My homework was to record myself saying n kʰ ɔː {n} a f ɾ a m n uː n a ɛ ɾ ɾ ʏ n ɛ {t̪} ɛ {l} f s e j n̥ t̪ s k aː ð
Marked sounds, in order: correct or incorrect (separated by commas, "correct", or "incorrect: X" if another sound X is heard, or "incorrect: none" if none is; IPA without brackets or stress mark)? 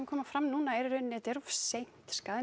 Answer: incorrect: m, correct, incorrect: ɾ